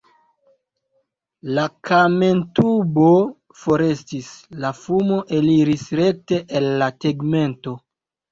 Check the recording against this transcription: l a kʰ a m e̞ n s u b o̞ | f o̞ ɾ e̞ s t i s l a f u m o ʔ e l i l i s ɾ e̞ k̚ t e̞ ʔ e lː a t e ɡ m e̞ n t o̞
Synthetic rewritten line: l a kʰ a m e̞ n t u b o̞ | f o̞ ɾ e̞ s t i s l a f u m o ʔ e l i ɾ i s ɾ e̞ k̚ t e̞ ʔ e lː a t e ɡ m e̞ n t o̞